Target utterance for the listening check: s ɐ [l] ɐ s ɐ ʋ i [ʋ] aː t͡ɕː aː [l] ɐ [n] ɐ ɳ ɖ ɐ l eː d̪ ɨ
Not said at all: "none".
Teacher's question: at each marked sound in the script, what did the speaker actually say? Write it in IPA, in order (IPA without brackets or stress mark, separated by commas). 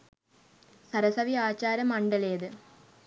ɾ, none, ɾ, m